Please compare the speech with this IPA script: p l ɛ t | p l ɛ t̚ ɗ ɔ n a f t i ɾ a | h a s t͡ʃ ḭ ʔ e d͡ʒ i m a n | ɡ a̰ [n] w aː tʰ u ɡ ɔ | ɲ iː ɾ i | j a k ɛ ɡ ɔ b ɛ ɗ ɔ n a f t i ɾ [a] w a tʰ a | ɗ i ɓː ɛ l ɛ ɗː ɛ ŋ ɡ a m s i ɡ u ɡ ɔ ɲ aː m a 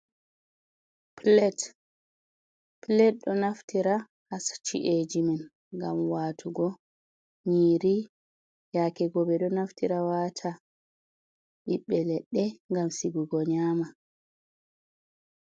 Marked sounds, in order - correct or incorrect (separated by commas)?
incorrect, correct